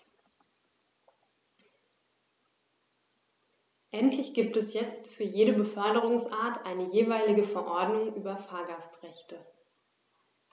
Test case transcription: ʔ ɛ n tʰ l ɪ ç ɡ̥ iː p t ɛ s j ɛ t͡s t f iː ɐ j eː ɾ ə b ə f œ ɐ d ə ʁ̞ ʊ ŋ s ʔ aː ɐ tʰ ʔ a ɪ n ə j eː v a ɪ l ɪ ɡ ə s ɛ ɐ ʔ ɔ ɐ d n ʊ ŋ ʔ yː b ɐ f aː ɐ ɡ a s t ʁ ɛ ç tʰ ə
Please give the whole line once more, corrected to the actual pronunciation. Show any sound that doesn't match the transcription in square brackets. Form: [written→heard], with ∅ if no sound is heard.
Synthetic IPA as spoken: ʔ ɛ n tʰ l ɪ ç ɡ̥ iː p t ɛ s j ɛ t͡s t f [iː→yː] ɐ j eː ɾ ə b ə f œ ɐ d ə ʁ̞ ʊ ŋ s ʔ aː ɐ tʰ ʔ a ɪ n ə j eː v a ɪ l ɪ ɡ ə [s→f] ɛ ɐ ʔ ɔ ɐ d n ʊ ŋ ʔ yː b ɐ f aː ɐ ɡ a s t ʁ ɛ ç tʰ ə

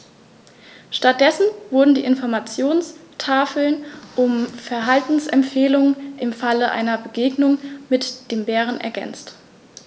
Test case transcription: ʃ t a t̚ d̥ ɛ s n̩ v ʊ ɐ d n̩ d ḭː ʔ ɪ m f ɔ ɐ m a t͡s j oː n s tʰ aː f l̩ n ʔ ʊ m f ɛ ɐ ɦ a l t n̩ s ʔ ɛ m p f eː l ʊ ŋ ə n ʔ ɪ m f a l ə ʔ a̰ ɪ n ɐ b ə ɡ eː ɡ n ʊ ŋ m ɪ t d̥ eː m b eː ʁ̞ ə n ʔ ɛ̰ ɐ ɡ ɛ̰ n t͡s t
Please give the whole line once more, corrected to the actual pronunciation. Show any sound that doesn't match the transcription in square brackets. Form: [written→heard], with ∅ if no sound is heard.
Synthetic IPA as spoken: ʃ t a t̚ d̥ ɛ s n̩ v ʊ ɐ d n̩ d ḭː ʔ ɪ [m→n] f ɔ ɐ m a t͡s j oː n s tʰ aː f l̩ n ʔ ʊ m f ɛ ɐ ɦ a l t n̩ s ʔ ɛ m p f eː l ʊ ŋ ə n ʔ ɪ m f a l ə ʔ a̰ ɪ n ɐ b ə ɡ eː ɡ n ʊ ŋ m ɪ t d̥ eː m b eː ʁ̞ ə n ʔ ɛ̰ ɐ ɡ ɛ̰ n t͡s t

